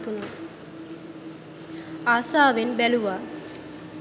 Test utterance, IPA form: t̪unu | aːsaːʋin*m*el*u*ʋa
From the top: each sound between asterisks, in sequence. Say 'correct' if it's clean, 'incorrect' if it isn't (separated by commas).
incorrect, correct